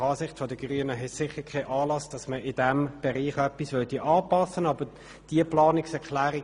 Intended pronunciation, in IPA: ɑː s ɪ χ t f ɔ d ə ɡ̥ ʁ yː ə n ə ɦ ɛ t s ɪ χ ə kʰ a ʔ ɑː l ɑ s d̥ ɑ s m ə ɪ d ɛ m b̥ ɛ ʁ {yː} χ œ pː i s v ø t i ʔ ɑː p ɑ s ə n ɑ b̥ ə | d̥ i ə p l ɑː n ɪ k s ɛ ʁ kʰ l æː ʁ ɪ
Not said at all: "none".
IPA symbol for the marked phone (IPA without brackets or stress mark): iː